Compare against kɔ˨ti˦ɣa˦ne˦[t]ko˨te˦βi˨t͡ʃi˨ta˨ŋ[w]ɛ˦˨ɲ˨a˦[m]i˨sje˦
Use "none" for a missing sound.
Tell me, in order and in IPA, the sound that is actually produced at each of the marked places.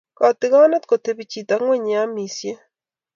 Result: t, w, m

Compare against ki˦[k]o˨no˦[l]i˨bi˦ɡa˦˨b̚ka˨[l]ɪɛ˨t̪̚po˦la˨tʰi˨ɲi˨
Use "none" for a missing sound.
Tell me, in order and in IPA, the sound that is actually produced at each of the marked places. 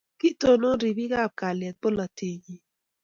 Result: t, ɾ, l

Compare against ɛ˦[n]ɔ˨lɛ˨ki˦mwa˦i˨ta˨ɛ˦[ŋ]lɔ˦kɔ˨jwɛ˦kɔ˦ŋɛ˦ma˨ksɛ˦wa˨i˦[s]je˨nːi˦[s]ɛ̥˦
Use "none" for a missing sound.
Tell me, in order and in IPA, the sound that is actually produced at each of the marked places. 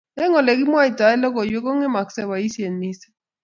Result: ŋ, none, s, s

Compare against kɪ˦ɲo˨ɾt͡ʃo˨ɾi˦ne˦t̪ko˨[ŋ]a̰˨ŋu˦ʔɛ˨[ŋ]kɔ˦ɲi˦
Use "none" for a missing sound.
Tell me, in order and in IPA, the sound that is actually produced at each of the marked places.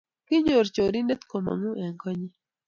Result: m, ŋ

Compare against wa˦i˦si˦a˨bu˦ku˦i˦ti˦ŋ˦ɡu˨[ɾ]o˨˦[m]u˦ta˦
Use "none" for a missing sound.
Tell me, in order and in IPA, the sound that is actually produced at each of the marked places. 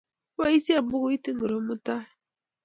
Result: ɾ, m

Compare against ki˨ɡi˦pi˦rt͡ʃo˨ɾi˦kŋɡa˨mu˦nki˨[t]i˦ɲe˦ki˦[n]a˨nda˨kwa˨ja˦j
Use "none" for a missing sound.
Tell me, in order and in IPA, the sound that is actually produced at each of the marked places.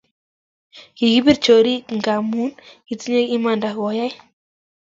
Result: t͡s, m

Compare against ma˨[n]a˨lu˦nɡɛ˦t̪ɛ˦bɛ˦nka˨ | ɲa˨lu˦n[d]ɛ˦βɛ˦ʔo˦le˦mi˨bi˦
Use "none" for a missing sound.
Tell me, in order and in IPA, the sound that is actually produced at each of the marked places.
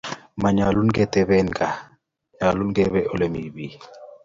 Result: ɲ, ɡ

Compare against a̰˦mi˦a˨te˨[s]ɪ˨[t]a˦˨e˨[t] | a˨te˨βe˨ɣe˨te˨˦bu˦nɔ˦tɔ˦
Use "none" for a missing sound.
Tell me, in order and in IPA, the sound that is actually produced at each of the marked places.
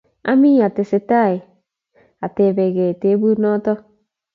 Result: s, t, none

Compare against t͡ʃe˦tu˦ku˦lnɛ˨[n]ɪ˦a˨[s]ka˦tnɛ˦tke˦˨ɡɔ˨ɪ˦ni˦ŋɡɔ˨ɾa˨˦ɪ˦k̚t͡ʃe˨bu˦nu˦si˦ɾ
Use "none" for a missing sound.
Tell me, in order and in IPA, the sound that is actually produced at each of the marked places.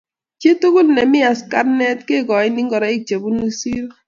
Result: m, s

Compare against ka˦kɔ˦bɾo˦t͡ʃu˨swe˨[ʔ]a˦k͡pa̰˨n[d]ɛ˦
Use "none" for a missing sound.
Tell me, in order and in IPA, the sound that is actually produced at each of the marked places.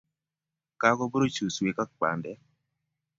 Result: k, d

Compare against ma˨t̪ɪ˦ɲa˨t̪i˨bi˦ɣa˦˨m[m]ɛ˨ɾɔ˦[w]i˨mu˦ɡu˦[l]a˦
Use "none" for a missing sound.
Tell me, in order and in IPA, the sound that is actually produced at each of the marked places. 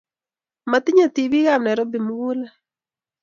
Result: n, b, l

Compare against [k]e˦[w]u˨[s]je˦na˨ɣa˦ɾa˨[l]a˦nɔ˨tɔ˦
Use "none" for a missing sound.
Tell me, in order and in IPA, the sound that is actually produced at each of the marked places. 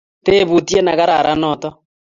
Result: t, β, t, ɾ

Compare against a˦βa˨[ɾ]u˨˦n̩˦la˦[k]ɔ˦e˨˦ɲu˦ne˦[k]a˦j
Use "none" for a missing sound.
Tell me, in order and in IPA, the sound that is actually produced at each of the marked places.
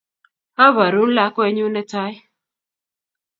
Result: ɾ, k, t

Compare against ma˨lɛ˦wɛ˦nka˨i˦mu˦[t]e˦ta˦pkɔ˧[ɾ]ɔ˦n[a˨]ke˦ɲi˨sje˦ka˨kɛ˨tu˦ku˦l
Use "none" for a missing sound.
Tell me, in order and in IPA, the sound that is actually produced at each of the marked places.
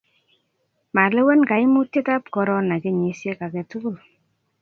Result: t, ɾ, a˨

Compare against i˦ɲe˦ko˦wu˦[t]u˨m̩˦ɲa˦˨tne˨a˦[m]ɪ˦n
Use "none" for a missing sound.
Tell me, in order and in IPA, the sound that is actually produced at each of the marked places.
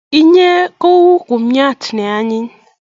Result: k, ɲ

